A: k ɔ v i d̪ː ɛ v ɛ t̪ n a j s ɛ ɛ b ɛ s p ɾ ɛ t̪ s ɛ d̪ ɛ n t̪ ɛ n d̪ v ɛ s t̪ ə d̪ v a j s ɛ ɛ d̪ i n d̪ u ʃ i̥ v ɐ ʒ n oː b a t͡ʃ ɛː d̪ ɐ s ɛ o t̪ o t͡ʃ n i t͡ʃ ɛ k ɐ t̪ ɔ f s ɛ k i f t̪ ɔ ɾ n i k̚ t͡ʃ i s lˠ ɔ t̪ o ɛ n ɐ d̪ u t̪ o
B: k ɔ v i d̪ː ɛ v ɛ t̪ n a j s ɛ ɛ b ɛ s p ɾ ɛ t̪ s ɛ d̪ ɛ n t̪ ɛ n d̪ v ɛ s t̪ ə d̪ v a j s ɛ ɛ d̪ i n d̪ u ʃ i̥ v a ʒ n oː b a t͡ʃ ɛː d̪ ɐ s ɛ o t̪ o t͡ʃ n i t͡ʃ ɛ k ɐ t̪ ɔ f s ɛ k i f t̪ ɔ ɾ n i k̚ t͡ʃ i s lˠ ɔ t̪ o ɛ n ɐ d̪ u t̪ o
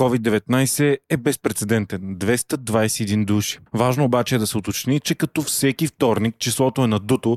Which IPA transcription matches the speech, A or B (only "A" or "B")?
B